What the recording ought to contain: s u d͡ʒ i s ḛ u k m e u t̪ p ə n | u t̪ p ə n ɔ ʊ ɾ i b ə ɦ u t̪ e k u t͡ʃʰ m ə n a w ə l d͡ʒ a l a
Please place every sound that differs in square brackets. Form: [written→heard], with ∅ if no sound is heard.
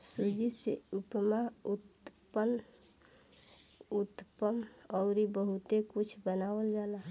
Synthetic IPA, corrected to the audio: s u d͡ʒ i s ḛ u [k→p] m [e→a] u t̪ p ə n | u t̪ p ə [n→m] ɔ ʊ ɾ i b ə ɦ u t̪ e k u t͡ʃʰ [m→b] ə n a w ə l d͡ʒ a l a